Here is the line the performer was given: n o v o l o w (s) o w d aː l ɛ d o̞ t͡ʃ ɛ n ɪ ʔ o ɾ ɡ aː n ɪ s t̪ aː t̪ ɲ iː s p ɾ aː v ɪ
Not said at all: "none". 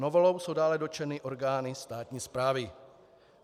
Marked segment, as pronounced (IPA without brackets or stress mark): s